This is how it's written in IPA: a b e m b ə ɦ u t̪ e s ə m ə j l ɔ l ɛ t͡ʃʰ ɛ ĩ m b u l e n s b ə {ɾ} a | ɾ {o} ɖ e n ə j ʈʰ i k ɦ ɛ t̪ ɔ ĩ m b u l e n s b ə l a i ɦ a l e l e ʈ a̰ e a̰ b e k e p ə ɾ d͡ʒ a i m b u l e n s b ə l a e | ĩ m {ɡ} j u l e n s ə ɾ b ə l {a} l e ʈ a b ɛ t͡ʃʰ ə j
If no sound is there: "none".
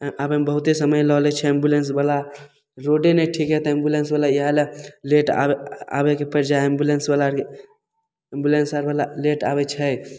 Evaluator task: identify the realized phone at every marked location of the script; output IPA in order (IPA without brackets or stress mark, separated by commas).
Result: l, o, b, a